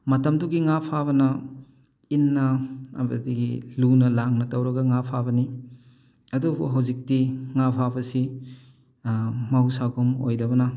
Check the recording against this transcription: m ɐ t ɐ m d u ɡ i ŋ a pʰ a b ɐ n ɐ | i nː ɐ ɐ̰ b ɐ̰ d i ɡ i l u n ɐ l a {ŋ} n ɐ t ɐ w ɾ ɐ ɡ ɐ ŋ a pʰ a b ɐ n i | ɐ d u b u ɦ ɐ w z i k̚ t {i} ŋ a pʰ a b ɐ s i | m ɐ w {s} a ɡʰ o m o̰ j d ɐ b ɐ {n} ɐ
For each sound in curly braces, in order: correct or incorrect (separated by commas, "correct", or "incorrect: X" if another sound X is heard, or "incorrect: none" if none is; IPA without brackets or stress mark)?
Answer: correct, correct, correct, correct